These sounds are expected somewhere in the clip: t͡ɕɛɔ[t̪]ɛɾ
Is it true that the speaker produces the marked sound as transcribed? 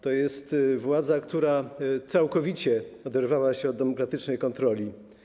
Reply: no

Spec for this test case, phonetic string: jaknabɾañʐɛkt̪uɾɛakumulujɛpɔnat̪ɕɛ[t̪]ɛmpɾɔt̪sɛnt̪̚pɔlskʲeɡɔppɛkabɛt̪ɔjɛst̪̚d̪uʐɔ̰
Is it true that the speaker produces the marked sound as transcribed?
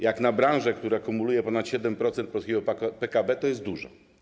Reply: no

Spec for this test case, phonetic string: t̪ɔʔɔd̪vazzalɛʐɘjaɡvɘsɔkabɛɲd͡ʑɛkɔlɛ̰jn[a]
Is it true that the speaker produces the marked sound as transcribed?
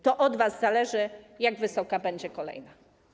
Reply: yes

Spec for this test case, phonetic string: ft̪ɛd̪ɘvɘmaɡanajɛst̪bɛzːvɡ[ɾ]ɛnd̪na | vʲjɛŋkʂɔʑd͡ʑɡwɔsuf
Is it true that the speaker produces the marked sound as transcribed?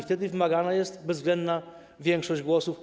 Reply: no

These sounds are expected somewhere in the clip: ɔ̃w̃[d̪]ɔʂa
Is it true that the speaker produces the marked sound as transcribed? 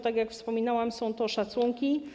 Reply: no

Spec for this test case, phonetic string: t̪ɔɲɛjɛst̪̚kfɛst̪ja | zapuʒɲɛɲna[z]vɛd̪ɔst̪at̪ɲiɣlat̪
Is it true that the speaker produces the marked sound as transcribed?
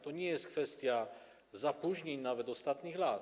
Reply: no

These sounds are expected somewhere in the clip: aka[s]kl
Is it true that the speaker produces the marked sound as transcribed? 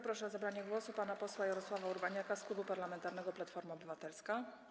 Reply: yes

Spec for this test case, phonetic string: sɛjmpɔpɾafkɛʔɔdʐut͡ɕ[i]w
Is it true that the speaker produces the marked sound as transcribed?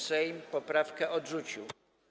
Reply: yes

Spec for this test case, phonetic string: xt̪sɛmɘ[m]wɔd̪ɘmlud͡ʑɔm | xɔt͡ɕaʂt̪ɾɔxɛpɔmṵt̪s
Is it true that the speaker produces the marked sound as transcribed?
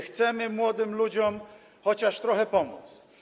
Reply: yes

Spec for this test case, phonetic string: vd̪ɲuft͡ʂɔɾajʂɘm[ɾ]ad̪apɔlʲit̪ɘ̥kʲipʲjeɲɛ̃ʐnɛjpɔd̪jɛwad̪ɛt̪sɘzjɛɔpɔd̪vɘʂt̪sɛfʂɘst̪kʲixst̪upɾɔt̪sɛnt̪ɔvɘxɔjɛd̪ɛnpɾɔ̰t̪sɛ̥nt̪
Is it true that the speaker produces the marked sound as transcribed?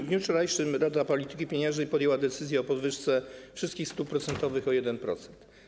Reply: yes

